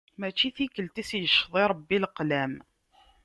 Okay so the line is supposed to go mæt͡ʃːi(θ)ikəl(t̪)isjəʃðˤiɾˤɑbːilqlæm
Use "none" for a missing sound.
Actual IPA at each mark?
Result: θ, t̪

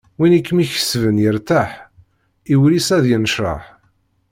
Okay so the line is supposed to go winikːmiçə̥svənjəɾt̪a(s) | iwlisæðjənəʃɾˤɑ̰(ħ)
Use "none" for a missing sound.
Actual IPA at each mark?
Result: ħ, ħ

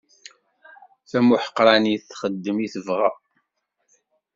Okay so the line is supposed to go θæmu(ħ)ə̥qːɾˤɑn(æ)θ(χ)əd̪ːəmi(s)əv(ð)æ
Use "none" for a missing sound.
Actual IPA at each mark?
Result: ħ, i, χ, θ, ʁ

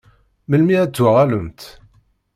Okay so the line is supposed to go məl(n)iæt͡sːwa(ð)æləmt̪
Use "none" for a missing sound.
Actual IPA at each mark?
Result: m, ʁ

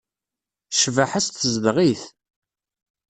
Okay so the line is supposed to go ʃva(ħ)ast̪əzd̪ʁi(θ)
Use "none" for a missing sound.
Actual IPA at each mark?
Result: ħ, θ

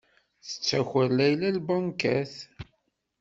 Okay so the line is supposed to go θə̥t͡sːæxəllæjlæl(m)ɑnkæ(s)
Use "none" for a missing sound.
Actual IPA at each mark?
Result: b, θ

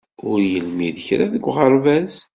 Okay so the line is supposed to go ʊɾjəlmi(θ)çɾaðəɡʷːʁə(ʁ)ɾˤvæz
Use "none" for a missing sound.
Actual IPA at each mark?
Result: ð, none

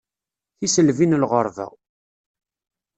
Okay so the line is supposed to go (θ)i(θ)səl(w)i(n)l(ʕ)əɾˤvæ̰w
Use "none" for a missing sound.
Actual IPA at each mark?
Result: θ, none, v, n, ʁ

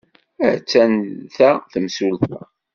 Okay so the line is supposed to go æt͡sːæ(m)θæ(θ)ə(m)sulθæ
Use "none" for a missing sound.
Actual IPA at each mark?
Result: n, θ, m

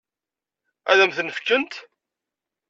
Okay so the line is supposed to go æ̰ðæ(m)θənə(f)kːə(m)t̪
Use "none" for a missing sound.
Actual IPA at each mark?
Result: m, f, n

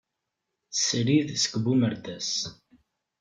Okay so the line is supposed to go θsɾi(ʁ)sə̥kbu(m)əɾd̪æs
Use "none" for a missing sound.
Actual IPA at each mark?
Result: ð, m

